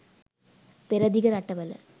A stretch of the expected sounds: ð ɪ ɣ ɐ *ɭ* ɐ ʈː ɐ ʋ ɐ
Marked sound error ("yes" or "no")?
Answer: yes